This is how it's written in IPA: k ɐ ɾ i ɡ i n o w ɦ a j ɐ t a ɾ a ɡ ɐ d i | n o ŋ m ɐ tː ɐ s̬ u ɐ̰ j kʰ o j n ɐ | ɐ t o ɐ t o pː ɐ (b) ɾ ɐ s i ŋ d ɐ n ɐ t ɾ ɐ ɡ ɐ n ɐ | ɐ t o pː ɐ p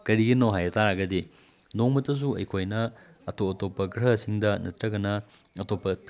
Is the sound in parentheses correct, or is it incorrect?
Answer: incorrect